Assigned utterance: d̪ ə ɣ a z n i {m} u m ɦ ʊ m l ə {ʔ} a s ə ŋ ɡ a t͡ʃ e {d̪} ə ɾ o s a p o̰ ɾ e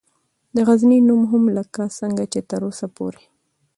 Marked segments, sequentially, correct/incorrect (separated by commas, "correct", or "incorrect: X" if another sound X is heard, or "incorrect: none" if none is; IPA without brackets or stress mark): incorrect: n, incorrect: k, incorrect: t̪